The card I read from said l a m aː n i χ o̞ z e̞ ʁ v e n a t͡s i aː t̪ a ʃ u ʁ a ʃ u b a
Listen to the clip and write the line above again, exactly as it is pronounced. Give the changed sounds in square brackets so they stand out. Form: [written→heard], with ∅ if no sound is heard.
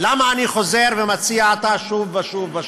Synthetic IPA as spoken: l a m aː n i χ o̞ z e̞ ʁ v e [n→m] a t͡s i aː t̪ a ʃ u [ʁ→v] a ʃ u [b→v] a

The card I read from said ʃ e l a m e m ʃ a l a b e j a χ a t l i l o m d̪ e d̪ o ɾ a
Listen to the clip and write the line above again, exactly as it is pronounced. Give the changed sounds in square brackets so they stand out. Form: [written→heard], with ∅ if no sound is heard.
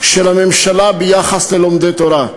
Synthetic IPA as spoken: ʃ e l a m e m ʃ a l a b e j a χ a [t→s] l [i→e] l o m d̪ e [d̪→t̪] o ɾ a

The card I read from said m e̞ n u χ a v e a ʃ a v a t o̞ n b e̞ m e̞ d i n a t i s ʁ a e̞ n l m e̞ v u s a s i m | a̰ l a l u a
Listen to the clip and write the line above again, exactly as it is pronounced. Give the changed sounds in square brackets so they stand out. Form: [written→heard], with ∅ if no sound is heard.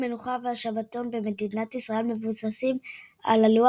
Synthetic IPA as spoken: m e̞ n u χ a v e a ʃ a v a t o̞ n b e̞ m e̞ d i n a t i s ʁ a e̞ [n→∅] l m e̞ v u s a s i m | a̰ l a l u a

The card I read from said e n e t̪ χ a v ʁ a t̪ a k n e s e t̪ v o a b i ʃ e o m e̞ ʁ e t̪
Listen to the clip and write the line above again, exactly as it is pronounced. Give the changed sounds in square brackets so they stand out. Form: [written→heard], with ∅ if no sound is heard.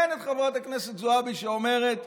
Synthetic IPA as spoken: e n e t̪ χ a v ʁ a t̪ a k n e s e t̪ [v→z] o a b i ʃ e o m e̞ ʁ e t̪

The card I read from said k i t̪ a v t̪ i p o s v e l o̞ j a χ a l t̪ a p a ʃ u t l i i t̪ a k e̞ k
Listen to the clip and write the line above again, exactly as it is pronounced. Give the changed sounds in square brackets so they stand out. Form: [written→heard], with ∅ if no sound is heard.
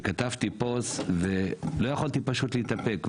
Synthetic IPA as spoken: k [i→a] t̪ a v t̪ i p o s v e l o̞ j a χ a l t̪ [a→i] p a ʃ u t l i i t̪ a [k→p] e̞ k

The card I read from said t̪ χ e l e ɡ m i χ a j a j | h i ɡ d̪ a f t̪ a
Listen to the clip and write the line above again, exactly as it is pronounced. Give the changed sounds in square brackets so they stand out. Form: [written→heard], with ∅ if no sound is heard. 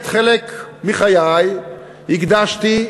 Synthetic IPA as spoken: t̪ χ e l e [ɡ→k] m i χ a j a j | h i ɡ d̪ a [f→ʃ] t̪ [a→i]

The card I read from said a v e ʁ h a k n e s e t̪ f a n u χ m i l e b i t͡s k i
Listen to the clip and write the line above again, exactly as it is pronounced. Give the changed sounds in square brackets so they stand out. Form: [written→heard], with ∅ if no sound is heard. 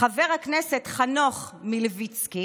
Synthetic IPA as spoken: a v e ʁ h a k n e s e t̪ [f→χ] a n [u→o] χ m i l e [b→v] i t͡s k i

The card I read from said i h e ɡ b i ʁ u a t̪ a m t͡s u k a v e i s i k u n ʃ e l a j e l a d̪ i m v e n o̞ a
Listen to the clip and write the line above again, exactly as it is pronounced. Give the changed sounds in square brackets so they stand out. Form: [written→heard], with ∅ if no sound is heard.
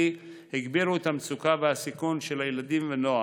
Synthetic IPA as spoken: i h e ɡ b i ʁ u [a→e] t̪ a m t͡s u k a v e [i→a] s i k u n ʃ e l a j e l a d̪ i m v e n o̞ a

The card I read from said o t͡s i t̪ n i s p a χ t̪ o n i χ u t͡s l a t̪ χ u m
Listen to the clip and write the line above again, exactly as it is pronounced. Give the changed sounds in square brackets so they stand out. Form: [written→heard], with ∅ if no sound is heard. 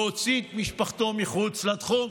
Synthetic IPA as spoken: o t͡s i t̪ [n→m] i [s→ʃ] p a χ t̪ o [n→m] i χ u t͡s l a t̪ χ u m

